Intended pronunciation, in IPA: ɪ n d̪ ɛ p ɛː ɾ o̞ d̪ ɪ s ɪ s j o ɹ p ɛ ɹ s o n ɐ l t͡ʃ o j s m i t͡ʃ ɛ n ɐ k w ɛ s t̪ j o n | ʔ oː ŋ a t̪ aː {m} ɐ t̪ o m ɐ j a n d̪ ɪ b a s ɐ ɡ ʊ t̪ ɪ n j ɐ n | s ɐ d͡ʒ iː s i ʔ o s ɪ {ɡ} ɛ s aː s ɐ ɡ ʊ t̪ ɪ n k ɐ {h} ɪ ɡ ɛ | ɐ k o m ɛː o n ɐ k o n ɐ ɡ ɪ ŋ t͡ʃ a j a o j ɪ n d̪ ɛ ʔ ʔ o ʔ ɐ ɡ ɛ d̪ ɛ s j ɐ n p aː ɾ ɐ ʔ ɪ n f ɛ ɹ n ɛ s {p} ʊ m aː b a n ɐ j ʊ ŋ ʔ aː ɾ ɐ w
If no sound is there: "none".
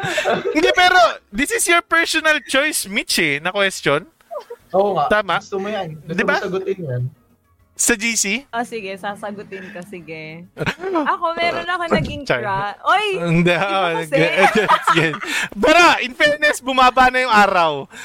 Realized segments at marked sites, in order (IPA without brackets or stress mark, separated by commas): m, ɡ, s, b